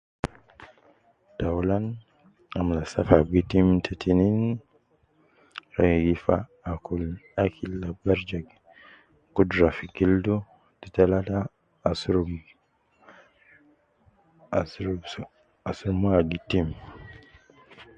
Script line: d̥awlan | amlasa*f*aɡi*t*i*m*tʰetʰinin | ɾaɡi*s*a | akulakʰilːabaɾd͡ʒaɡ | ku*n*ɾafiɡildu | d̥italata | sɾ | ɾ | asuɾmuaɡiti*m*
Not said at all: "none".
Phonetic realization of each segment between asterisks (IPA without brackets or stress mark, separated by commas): f, t, m, f, d, m